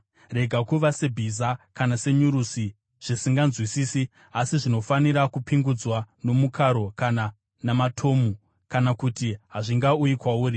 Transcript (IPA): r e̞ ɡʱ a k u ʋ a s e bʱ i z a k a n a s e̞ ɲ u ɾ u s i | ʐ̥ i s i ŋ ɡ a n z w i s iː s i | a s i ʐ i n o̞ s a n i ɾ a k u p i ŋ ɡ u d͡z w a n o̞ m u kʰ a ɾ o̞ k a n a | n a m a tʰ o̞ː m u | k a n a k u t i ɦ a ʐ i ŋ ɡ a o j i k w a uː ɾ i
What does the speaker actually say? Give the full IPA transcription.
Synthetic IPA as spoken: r e̞ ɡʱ a k u ʋ a s e bʱ i z a k a n a s e̞ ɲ u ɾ u s i | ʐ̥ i s i ŋ ɡ a n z w i s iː s i | a s i ʐ i n o̞ f a n i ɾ a k u p i ŋ ɡ u d͡z w a n o̞ m u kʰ a ɾ o̞ k a n a | n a m a tʰ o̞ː m u | k a n a k u t i ɦ a ʐ i ŋ ɡ a u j i k w a uː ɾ i